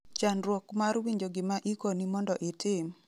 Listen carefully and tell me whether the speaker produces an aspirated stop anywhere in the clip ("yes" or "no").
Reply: no